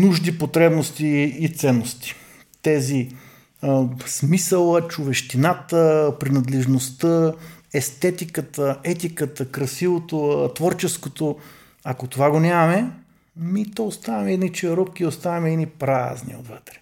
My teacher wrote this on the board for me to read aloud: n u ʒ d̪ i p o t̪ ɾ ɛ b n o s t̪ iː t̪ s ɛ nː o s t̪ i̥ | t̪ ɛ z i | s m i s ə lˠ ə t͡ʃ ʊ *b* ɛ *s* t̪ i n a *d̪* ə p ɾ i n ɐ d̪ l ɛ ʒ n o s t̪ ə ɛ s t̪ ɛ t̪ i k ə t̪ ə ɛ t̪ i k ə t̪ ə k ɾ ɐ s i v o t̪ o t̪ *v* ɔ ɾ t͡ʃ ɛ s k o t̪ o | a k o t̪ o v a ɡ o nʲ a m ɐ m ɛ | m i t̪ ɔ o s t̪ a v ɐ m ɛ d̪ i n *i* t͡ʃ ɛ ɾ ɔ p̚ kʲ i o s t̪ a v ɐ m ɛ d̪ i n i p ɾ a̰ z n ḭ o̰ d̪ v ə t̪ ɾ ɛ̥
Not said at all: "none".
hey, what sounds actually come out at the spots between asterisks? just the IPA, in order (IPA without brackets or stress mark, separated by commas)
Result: v, ʃ, t̪, v, i